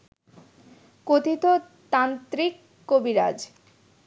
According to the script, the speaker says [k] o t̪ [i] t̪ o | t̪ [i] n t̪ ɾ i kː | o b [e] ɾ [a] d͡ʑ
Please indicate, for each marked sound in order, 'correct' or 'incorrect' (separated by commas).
correct, correct, incorrect, incorrect, correct